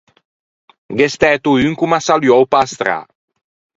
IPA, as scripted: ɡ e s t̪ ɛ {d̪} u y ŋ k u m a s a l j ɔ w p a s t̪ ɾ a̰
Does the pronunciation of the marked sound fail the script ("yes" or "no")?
yes